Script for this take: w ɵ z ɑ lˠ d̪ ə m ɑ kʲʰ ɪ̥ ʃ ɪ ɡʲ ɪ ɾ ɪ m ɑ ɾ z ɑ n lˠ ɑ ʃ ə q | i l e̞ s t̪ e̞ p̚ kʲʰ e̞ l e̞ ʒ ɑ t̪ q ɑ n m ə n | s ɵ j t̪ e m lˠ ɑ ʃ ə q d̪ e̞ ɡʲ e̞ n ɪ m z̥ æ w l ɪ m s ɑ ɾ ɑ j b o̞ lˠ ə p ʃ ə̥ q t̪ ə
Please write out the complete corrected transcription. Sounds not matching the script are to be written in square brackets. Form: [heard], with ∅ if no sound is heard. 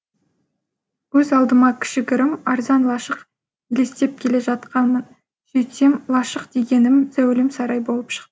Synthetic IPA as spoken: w ɵ z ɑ lˠ d̪ ə m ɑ kʲʰ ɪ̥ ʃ ɪ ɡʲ ɪ ɾ ɪ m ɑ ɾ z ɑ n lˠ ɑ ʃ ə q | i l e̞ s t̪ e̞ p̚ kʲʰ e̞ l e̞ ʒ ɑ t̪ q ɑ n m ə n | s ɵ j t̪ e m lˠ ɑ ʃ ə q d̪ e̞ ɡʲ e̞ n ɪ m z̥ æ w l ɪ m s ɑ ɾ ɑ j b o̞ lˠ ə p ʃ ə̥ q t̪ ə

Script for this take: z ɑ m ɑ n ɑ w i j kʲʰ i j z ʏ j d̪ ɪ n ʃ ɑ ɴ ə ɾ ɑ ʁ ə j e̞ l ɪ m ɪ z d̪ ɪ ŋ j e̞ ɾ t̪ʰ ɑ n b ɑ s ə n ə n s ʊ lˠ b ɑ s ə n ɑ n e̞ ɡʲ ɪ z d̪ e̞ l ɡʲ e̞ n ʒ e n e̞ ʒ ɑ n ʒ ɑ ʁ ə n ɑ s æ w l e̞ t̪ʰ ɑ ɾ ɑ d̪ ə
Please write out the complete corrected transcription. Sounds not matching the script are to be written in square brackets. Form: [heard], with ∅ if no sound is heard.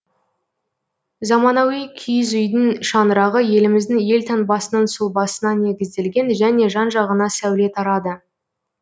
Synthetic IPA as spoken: z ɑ m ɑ n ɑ w i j kʲʰ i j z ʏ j d̪ ɪ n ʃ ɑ [n] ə ɾ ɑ ʁ ə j e̞ l ɪ m ɪ z d̪ ɪ ŋ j e̞ [l] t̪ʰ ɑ n b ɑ s ə n ə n s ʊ lˠ b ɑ s ə n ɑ n e̞ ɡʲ ɪ z d̪ e̞ l ɡʲ e̞ n ʒ [æ] n e̞ ʒ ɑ n ʒ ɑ ʁ ə n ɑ s æ w l e̞ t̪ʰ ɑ ɾ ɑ d̪ ə

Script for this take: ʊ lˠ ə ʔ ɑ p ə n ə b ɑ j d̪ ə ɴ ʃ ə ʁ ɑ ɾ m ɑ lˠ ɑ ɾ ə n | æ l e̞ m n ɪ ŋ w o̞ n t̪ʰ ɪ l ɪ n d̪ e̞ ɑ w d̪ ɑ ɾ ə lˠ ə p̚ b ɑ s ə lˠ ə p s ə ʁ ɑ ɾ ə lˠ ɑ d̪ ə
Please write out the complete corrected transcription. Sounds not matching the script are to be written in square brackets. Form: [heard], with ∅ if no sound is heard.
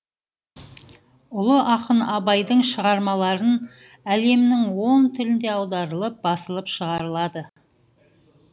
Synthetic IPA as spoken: ʊ lˠ ə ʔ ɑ [q] ə n [ɑ] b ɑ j d̪ ə ɴ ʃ ə ʁ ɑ ɾ m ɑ lˠ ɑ ɾ ə n | æ l e̞ m n ɪ ŋ w o̞ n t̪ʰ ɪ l ɪ n d̪ e̞ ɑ w d̪ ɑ ɾ ə lˠ ə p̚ b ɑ s ə lˠ ə p [ʃ] ə ʁ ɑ ɾ ə lˠ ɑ d̪ ə

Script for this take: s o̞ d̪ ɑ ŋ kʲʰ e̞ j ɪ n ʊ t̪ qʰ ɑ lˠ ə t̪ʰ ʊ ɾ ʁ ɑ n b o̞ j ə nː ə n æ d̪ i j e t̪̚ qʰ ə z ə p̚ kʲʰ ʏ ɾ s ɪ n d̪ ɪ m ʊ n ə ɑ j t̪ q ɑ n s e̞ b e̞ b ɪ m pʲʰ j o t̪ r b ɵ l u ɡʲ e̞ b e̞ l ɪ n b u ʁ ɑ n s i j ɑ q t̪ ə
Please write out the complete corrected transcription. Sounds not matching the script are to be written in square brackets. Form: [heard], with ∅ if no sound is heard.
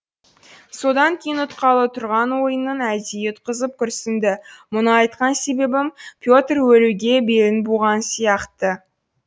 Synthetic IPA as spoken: s o̞ d̪ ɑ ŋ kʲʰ e̞ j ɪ n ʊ t̪ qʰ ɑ lˠ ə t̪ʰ ʊ ɾ ʁ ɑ n [w] o̞ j ə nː ə n æ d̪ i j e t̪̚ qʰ ə z ə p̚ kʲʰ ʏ ɾ s ɪ n d̪ ɪ m ʊ n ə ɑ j t̪ q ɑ n s e̞ b e̞ b ɪ m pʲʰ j o t̪ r [w] ɵ l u ɡʲ e̞ b e̞ l ɪ n b u ʁ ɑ n s i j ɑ q t̪ ə

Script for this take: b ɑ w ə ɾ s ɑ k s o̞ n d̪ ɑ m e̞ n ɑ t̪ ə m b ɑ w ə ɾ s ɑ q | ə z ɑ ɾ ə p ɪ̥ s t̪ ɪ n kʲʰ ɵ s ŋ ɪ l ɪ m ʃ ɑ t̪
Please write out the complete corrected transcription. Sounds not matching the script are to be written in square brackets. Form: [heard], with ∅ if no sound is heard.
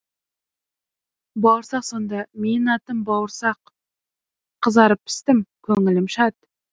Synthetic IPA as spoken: b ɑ w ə ɾ s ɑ [q] s o̞ n d̪ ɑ m e̞ n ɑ t̪ ə m b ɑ w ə ɾ s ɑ q | ə z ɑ ɾ ə p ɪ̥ s t̪ ɪ [m] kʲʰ ɵ [∅] ŋ ɪ l ɪ m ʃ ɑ t̪

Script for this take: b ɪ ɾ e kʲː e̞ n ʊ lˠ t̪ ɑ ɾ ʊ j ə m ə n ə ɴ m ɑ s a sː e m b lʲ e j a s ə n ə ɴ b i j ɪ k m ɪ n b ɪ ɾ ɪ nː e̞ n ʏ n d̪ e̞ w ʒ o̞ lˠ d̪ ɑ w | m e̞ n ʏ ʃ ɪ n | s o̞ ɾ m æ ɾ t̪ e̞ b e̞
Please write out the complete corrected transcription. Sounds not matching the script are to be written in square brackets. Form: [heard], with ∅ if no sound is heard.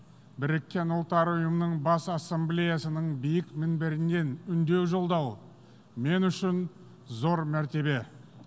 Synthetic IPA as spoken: b ɪ ɾ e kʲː e̞ n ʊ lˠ t̪ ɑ ɾ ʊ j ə m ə n ə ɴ [b] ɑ s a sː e m b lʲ e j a s ə n ə ɴ b i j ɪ k m ɪ n b ɪ ɾ ɪ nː e̞ n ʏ n d̪ e̞ w ʒ o̞ lˠ d̪ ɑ w | m e̞ n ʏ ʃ ɪ n | [z] o̞ ɾ m æ ɾ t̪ e̞ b e̞

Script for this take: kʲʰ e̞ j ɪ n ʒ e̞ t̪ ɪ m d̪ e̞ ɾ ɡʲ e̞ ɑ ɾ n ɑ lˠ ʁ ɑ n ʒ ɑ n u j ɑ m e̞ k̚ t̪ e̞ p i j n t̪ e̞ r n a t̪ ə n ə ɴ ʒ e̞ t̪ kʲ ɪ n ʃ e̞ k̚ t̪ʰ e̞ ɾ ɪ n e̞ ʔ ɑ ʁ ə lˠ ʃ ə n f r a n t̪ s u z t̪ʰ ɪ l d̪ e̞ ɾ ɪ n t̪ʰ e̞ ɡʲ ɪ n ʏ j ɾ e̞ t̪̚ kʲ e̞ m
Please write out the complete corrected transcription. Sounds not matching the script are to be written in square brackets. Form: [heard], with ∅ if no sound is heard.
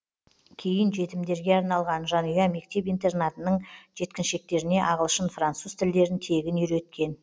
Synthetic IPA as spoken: kʲʰ e̞ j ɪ n ʒ e̞ t̪ ɪ m d̪ e̞ ɾ ɡʲ e̞ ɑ ɾ n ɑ lˠ ʁ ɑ n ʒ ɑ n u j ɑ m e̞ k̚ t̪ e̞ p i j n t̪ e̞ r n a t̪ ə n ə ɴ ʒ e̞ t̪ kʲ ɪ n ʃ e̞ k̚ [t̪] e̞ ɾ ɪ n e̞ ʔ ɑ ʁ ə lˠ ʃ ə n f r a n t̪ s u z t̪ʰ ɪ l d̪ e̞ ɾ ɪ n t̪ʰ e̞ ɡʲ ɪ n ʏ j ɾ e̞ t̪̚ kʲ e̞ [n]

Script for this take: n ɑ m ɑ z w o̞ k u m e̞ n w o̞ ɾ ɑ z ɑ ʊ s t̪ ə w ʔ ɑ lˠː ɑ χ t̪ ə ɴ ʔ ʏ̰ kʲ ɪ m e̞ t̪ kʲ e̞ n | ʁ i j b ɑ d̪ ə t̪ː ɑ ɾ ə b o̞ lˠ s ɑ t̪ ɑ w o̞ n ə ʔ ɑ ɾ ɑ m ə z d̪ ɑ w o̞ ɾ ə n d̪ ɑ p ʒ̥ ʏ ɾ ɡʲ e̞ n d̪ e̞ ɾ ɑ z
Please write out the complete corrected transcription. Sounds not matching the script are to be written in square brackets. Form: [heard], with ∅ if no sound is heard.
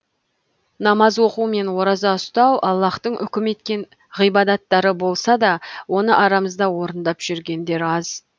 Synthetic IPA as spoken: n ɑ m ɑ z w o̞ [q] u m e̞ n w o̞ ɾ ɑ z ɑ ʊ s t̪ [ɑ] w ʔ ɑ lˠː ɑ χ t̪ ə ɴ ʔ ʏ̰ kʲ ɪ m e̞ t̪ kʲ e̞ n | ʁ i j b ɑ d̪ [ɑ] t̪ː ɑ ɾ ə b o̞ lˠ s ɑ [d̪] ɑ w o̞ n ə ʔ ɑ ɾ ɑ m ə z d̪ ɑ w o̞ ɾ ə n d̪ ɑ p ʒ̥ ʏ ɾ ɡʲ e̞ n d̪ e̞ ɾ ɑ z

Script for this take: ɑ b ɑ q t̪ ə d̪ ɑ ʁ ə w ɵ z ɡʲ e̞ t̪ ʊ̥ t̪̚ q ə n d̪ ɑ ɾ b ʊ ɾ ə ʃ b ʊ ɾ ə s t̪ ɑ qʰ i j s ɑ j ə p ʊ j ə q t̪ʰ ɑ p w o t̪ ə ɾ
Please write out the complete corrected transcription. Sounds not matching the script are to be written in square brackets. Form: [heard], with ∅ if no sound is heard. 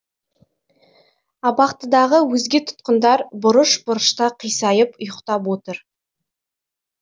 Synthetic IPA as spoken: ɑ b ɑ q t̪ ə d̪ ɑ ʁ ə w ɵ z ɡʲ e̞ [t̪ʰ] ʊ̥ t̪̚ q ə n d̪ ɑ ɾ b ʊ ɾ ə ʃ b ʊ ɾ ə [ʃ] t̪ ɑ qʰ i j s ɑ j ə p ʊ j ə q [t̪] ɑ p w o t̪ ə ɾ

